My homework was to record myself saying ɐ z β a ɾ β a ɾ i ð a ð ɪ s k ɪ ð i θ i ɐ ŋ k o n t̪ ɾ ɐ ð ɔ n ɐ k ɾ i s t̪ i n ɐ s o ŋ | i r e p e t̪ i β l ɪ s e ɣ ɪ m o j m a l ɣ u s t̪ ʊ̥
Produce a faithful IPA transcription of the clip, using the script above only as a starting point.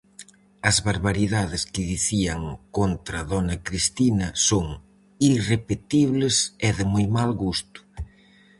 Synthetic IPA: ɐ z β a ɾ β a ɾ i ð a ð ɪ s k ɪ ð i θ i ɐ ŋ k o n t̪ ɾ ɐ ð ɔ n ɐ k ɾ i s t̪ i n ɐ s o ŋ | i r e p e t̪ i β l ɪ s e ð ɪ m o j m a l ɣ u s t̪ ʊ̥